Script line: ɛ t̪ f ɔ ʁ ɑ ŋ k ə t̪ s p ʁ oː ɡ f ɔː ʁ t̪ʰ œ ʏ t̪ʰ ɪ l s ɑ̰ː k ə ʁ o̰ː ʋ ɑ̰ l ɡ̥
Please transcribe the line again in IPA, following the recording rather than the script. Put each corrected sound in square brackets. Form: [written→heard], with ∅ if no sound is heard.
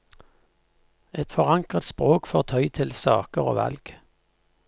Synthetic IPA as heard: ɛ t̪ f ɔ ʁ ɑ ŋ k ə t̪ s p ʁ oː [ɡ→k] f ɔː ʁ t̪ʰ œ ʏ t̪ʰ ɪ l s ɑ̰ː k ə ʁ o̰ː ʋ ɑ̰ l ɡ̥